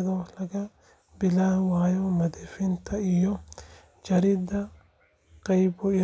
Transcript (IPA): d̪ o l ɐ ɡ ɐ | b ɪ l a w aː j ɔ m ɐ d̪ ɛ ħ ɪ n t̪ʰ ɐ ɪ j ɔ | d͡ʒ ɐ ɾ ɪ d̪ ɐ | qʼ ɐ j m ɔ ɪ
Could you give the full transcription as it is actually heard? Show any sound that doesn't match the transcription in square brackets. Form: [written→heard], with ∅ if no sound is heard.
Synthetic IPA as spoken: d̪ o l ɐ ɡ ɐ | b ɪ l a w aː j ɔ m ɐ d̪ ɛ [ħ→f] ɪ n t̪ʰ ɐ ɪ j ɔ | d͡ʒ ɐ ɾ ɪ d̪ ɐ | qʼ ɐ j [m→b] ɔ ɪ